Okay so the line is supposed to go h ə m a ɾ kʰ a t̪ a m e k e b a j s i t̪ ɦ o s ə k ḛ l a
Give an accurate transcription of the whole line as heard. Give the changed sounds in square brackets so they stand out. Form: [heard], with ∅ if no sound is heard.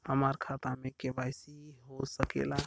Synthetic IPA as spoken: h ə m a ɾ kʰ a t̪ a m e k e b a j s i [∅] ɦ o s ə k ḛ l a